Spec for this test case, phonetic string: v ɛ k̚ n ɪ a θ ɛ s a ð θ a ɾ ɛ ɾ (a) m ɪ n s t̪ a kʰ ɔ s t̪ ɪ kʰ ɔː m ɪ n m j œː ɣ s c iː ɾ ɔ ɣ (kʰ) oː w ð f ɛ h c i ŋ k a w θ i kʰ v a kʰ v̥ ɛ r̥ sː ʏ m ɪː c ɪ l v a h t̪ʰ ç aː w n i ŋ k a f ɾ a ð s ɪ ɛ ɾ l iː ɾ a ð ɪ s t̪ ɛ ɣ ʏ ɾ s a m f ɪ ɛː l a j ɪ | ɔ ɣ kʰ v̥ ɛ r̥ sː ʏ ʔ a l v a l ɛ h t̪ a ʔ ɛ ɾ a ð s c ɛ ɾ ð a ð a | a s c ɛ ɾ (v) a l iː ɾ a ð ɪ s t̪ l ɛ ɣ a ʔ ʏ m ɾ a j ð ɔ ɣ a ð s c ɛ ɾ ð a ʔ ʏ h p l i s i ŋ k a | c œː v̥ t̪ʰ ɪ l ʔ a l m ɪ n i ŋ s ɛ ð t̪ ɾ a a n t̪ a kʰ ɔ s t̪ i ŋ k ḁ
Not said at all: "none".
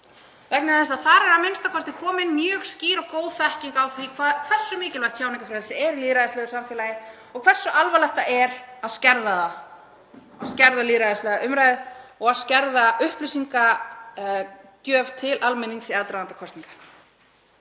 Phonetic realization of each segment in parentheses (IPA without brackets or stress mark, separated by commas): a, k, ð